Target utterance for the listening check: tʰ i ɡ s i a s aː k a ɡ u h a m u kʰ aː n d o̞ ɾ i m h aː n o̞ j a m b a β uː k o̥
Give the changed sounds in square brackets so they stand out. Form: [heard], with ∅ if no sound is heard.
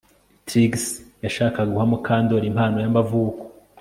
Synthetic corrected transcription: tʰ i ɡ s [j] a [ʃ] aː k a ɡ u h a m u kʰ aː n d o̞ ɾ i m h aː n o̞ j a m b a [v] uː k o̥